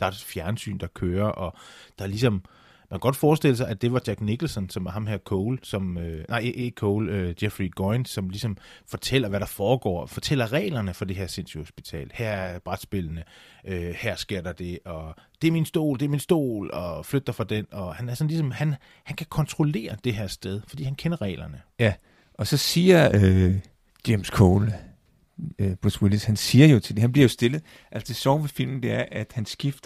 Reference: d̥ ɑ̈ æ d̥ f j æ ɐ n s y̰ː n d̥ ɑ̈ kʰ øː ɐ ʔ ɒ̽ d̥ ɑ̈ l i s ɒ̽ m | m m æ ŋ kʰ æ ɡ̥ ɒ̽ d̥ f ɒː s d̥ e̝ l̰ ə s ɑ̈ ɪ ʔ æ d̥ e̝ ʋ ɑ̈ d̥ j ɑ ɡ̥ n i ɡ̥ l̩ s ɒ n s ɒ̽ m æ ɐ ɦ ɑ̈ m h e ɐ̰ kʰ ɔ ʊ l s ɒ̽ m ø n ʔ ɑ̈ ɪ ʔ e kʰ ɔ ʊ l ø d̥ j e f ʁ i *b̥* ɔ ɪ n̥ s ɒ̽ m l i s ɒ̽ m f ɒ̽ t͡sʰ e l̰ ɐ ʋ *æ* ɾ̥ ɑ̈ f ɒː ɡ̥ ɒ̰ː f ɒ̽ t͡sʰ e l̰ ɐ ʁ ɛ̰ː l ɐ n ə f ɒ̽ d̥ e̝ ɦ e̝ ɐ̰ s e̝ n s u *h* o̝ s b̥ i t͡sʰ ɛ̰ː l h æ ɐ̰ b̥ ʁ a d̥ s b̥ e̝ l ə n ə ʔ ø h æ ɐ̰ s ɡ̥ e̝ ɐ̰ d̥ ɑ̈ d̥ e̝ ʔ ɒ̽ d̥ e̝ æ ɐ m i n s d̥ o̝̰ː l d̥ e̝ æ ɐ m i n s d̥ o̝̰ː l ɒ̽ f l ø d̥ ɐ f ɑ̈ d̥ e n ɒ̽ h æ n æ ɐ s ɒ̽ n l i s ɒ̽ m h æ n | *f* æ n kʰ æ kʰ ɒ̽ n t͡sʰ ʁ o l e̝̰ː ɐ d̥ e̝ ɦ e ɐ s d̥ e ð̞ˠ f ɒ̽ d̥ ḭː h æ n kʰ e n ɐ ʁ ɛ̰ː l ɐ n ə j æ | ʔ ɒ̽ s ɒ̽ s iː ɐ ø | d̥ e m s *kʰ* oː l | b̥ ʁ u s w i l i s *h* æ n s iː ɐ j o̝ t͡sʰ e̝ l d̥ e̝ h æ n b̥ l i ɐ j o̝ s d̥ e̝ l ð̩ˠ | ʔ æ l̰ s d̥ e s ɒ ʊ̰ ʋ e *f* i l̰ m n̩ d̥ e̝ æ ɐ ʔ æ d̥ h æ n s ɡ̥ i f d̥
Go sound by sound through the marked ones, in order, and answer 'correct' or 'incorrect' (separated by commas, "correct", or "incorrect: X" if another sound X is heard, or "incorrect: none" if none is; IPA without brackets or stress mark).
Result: incorrect: ɡ̥, correct, correct, incorrect: h, correct, correct, correct